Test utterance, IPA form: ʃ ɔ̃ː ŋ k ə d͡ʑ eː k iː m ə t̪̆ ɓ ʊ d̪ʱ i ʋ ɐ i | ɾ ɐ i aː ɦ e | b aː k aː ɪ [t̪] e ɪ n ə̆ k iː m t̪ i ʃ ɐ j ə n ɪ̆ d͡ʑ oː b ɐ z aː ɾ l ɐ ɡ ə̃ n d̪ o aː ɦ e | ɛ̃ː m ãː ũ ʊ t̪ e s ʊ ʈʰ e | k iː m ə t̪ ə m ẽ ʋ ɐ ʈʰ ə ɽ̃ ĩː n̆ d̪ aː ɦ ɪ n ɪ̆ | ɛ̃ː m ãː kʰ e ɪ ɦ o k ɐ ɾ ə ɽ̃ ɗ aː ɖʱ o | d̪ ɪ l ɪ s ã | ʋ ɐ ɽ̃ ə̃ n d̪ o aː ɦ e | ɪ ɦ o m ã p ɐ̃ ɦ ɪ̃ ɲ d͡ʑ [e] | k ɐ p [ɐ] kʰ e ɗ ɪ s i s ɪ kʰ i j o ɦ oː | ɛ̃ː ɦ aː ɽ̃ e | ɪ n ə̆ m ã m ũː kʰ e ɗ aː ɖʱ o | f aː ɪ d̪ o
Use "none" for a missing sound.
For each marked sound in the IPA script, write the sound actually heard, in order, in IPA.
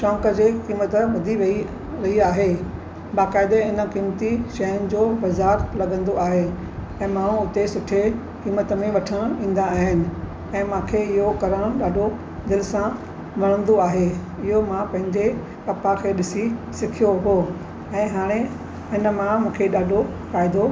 d̪, e, a

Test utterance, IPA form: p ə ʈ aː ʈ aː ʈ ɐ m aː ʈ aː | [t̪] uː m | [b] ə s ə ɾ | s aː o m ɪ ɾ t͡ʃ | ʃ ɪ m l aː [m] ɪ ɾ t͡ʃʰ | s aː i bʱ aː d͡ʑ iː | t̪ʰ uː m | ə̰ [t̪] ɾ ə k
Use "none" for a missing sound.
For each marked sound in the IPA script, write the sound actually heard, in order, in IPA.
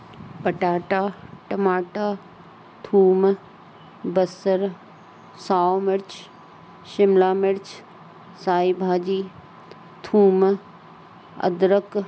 t̪ʰ, b, m, d̪

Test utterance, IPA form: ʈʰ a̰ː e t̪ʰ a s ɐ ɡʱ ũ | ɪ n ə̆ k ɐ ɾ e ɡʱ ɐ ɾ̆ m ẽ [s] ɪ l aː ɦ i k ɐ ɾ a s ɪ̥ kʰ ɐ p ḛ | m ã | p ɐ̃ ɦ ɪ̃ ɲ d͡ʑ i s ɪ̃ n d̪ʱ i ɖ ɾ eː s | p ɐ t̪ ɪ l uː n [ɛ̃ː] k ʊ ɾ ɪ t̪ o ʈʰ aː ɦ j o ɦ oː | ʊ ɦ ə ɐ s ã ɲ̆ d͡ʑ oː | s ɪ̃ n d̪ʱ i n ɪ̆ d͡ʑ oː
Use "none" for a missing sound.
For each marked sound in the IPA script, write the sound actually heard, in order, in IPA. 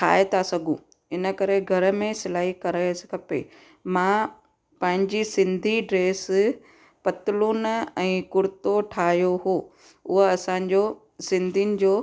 s, ɛ̃ː

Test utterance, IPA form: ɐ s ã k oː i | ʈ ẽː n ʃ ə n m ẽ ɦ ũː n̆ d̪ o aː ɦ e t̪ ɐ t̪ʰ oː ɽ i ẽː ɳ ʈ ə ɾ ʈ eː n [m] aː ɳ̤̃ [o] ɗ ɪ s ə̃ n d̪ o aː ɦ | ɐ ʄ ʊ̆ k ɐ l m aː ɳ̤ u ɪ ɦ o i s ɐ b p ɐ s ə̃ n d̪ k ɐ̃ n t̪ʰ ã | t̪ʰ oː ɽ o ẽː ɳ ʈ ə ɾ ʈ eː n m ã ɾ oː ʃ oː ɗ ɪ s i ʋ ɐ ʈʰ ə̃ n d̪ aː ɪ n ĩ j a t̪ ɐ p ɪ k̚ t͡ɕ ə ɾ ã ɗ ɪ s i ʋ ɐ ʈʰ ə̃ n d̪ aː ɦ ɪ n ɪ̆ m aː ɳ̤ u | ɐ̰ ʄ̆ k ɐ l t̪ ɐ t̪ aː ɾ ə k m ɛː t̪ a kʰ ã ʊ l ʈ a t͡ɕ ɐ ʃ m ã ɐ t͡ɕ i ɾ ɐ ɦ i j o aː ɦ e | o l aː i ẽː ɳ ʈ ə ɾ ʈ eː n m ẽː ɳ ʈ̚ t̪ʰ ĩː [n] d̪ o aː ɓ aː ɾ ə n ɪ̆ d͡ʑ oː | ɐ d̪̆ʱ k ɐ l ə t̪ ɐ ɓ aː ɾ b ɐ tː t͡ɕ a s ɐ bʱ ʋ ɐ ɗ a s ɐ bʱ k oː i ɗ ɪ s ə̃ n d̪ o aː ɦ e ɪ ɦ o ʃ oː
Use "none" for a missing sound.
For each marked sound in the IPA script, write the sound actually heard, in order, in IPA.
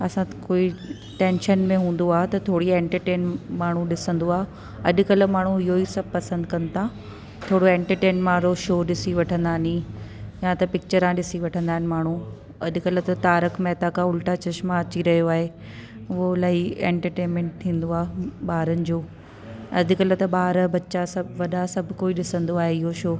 m, u, n

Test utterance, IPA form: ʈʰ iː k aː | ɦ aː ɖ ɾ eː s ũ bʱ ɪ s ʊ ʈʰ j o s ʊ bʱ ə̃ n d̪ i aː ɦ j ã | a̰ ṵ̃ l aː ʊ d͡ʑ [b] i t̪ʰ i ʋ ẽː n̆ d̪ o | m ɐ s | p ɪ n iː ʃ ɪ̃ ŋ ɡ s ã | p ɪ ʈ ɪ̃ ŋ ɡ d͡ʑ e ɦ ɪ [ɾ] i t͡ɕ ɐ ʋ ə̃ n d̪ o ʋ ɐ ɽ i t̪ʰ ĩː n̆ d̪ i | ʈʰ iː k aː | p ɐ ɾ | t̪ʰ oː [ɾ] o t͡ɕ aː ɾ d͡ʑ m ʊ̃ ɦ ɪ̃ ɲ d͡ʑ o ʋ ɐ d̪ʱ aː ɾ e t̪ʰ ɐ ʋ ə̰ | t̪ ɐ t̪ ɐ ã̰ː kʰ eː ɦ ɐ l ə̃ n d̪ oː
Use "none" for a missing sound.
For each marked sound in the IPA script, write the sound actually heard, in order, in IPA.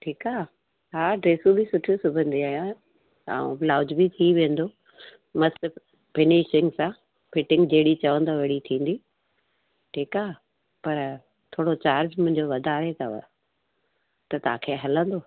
b, ɽ, ɽ

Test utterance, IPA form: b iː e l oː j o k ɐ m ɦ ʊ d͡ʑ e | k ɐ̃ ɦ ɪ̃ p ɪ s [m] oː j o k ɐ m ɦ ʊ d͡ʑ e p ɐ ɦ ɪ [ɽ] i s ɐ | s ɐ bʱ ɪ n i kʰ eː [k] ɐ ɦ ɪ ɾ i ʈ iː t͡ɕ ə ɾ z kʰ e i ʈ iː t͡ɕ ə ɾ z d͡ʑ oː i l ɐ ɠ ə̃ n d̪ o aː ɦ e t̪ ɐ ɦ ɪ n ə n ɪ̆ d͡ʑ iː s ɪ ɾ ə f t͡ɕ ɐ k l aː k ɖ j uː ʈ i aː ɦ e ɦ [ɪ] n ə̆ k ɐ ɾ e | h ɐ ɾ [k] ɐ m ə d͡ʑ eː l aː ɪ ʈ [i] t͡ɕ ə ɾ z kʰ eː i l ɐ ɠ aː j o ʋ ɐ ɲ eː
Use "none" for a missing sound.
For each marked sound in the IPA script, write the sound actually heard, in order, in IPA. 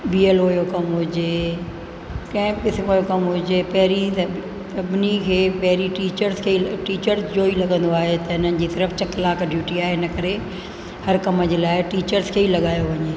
m, ɾ, p, ɪ, k, iː

